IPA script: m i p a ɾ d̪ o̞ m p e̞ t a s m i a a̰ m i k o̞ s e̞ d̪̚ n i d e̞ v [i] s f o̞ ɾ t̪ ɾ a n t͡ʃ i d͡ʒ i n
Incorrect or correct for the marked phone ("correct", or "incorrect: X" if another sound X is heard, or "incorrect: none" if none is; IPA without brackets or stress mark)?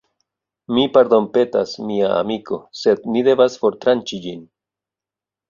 incorrect: a